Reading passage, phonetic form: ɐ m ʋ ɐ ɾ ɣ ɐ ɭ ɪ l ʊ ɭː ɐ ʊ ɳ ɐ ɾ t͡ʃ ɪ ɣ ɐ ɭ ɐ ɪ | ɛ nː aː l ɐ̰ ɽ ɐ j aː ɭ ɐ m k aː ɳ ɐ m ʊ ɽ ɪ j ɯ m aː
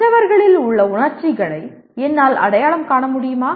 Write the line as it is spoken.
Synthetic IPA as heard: ɐ ʋ ɐ ɾ ɣ ɐ ɭ ɪ l ʊ ɭː ɐ ʊ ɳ ɐ ɾ t͡ʃ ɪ ɣ ɐ ɭ ɐ ɪ | ɛ nː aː l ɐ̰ ɽ ɐ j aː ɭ ɐ m k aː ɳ ɐ m ʊ ɽ ɪ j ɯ m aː